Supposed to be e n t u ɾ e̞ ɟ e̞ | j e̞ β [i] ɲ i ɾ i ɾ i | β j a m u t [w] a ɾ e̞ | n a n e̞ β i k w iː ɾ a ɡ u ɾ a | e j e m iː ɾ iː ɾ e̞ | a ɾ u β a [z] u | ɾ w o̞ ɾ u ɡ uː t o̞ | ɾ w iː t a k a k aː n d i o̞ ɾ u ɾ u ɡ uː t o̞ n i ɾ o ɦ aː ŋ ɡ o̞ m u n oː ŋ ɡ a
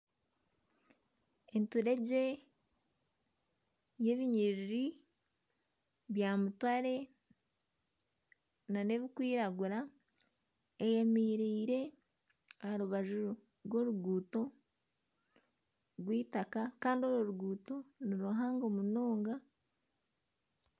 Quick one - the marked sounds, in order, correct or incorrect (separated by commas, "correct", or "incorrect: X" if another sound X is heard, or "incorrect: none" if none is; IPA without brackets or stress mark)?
correct, correct, incorrect: ʒ